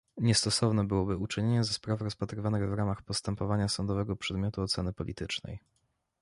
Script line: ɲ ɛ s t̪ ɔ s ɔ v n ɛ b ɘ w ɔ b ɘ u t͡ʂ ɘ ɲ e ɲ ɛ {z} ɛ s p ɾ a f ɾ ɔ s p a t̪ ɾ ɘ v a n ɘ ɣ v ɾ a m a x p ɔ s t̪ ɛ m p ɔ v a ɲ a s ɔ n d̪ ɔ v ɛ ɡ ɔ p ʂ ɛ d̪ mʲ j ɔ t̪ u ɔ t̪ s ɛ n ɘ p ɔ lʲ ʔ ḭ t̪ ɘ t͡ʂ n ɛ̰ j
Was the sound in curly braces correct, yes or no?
yes